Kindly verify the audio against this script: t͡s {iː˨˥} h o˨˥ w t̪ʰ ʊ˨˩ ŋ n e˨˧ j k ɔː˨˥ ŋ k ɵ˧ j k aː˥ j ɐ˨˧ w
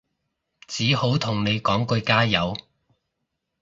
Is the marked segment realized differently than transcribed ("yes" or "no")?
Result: no